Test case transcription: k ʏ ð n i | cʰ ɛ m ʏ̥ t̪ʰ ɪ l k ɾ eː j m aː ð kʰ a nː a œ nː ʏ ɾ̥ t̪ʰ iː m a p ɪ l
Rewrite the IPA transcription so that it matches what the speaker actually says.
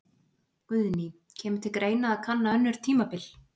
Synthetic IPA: k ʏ ð n i | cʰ ɛː m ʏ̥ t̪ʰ ɪ l k ɾ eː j n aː ð kʰ a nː a œ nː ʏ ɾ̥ t̪ʰ iː m a p ɪ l